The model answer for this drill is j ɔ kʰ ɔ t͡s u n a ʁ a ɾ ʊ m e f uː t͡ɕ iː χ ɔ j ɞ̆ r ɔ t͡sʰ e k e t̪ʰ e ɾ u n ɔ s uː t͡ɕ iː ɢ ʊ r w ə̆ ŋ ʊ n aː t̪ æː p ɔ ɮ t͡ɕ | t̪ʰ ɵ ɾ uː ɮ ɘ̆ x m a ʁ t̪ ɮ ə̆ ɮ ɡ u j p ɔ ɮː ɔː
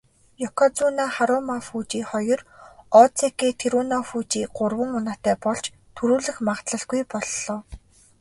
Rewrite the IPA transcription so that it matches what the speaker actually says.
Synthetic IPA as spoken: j ɔ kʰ ɔ t͡s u n a χ a ɾ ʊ m a f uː t͡ɕ iː χ ɔ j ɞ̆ r ɔ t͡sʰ e k e t̪ʰ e ɾ u n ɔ f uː t͡ɕ iː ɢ ʊ r w ə̆ ŋ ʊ n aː t̪ æː p ɔ ɮ t͡ɕ | t̪ʰ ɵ ɾ uː ɮ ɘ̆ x m a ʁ t̪ ɮ ə̆ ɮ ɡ u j p ɔ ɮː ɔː

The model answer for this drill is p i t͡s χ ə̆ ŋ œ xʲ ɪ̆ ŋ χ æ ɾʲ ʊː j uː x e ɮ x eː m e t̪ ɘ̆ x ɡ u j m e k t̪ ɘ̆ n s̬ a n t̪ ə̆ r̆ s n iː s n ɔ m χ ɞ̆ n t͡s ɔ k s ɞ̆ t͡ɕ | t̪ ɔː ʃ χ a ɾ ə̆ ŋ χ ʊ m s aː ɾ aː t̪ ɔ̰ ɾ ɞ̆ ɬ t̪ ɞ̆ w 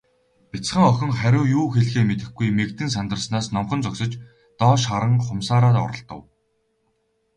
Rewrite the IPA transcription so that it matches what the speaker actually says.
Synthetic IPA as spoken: p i t͡s χ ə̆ ŋ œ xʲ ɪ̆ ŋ χ æ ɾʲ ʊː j uː x e ɮ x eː m e t̪ ɘ̆ x ɡ u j m e k t̪ ɘ̆ n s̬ a n t̪ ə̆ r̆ s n aː s n ɔ m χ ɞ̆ n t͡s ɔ k s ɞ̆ t͡ɕ | t̪ ɔː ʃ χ a ɾ ə̆ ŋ χ ʊ m s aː ɾ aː t̪ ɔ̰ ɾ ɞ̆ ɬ t̪ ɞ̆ w

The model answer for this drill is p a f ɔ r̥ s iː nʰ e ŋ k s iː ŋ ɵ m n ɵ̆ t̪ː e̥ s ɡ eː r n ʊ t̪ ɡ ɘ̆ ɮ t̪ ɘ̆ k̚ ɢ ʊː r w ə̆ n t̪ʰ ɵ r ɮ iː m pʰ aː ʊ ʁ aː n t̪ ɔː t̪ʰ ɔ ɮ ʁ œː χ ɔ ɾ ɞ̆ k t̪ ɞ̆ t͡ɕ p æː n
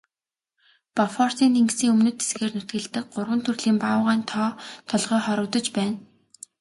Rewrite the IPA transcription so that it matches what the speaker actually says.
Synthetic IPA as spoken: p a f ɔ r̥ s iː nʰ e ŋ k s iː ŋ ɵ m n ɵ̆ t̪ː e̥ s ɡ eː r n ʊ t̪ ɡ ɘ̆ ɮ t̪ ɘ̆ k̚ ɢ ʊ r w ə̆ n t̪ʰ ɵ r ɮ iː m p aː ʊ ʁ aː n t̪ʰ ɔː t̪ʰ ɔ ɮ ʁ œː χ ɔ ɾ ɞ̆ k t̪ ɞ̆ t͡ɕ p æː n

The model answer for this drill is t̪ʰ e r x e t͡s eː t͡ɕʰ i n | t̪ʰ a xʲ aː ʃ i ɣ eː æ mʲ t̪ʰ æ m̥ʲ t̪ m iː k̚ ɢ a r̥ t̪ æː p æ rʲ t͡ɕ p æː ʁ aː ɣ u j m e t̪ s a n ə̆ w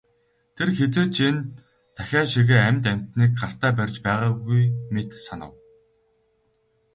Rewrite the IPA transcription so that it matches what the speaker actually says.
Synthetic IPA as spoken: t̪ʰ e r x e t͡s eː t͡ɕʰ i n | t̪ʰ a xʲ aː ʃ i ɣ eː æ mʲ t̪ æ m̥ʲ t̪ n iː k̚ ɢ a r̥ t̪ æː p æ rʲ t͡ɕ p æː ʁ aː ɣ u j m e t̪ s a n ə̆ w

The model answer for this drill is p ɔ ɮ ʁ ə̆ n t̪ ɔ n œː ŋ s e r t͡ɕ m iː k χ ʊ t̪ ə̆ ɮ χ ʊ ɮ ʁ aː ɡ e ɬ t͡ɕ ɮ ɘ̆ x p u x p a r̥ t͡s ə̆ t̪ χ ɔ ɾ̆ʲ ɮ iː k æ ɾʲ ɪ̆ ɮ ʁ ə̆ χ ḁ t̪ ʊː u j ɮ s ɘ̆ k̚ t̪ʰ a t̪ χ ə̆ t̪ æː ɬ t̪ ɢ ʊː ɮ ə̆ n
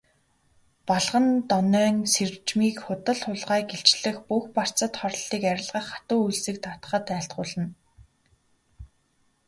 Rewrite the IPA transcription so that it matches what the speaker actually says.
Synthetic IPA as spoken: p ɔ ɮ ʁ ə̆ n t̪ ɔ n œː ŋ s e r t͡ɕ m iː k χ ʊ t̪ ə̆ ɮ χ ʊ ɮ ʁ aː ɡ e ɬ t͡ɕ ɮ ɘ̆ x p u x p a r̥ t͡s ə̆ t̪ χ ɔ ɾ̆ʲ ɮ iː k æ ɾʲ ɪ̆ ɮ ʁ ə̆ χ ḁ t̪ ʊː u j ɮ s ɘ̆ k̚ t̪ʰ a t̪ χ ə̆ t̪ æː ɬ t̪ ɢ ʊː ɮ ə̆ n

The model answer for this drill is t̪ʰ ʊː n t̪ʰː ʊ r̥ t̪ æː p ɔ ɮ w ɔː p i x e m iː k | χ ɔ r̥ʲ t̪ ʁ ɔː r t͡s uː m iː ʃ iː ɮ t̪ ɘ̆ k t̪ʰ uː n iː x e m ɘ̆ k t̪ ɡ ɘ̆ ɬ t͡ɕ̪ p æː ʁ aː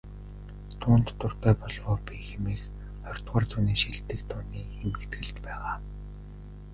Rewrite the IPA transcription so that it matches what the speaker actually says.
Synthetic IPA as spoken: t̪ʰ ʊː n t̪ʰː ʊ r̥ t̪ æː p ɔ ɮ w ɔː p i x e m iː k | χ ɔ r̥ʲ t̪ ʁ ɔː r t͡s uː n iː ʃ i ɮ t̪ ɘ̆ k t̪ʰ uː n iː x e m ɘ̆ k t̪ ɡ ɘ̆ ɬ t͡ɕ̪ p æː ʁ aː

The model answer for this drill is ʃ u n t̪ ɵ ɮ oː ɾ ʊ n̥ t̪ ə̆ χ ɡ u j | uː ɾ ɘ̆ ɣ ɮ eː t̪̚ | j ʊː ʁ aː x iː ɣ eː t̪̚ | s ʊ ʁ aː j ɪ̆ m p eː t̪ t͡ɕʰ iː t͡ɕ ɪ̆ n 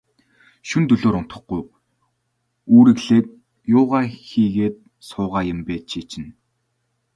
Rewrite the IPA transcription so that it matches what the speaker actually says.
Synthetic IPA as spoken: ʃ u n t̪ ɵ ɮ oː ɾ ʊ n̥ t̪ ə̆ χ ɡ u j | uː ɾ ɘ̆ ɣ ɮ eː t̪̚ | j ʊː ʁ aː x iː ɣ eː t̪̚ | s ʊː ʁ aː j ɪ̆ m p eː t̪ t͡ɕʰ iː t͡ɕ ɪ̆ n

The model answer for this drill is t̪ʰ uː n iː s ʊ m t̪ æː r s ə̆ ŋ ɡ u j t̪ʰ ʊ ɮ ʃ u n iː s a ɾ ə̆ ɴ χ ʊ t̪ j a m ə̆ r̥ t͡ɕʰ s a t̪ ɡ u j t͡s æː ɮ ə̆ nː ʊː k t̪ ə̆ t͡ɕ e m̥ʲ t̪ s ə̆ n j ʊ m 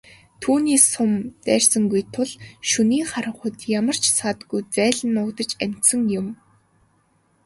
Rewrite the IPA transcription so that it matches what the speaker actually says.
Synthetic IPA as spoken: t̪ʰ uː n iː s ʊ m t̪ æː r s ə̆ ŋ ɡ u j t̪ʰ ʊ ɮ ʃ u n iː χ a ɾ ə̆ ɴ χ ʊ t̪ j a m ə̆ r̥ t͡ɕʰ s a t̪ ɡ u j t͡s æː ɮ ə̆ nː ʊː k t̪ ə̆ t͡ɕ æ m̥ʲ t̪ s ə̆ ŋ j ʊ m

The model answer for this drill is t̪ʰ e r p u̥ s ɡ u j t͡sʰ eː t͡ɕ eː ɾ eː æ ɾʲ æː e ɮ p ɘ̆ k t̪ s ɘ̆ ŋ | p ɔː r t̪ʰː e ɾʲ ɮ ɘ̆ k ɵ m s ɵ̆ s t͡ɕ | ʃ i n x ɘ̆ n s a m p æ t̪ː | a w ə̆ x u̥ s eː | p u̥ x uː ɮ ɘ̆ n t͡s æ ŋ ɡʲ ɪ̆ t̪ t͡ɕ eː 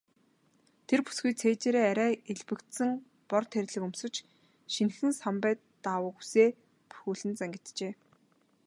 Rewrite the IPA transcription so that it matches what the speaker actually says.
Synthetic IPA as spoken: t̪ʰ e r p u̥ s ɡ u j t͡sʰ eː t͡ɕ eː ɾ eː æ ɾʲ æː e ɮ p ɘ̆ k t̪ s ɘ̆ ŋ | p ɔ r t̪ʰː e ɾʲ ɮ ɘ̆ k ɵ m s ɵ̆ t͡ɕ | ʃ i n x ɘ̆ n s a m p æː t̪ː | a w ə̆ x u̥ s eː | p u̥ x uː ɮ ɘ̆ n t͡s æ ŋ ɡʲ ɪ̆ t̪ t͡ɕ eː

